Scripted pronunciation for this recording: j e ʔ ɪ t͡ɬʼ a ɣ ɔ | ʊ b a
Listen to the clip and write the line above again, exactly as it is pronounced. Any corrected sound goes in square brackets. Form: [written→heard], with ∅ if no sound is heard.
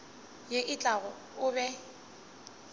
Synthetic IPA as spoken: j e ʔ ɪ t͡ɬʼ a ɣ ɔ | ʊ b [a→ɛ]